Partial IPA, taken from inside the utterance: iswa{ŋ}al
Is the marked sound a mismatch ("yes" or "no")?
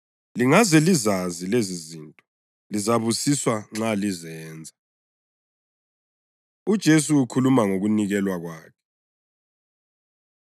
yes